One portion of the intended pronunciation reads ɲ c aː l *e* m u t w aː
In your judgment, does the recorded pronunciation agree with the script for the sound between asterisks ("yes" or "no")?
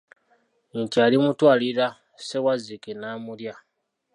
no